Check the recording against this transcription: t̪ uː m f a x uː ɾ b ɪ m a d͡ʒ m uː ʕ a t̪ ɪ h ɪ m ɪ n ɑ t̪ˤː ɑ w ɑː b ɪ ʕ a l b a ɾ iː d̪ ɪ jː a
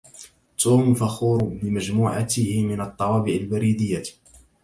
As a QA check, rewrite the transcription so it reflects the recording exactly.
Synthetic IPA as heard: t̪ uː m f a x uː ɾ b ɪ m a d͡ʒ m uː ʕ a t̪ ɪ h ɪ m ɪ n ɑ t̪ˤː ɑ w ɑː b ɪ ʕ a l b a ɾ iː d̪ ɪ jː a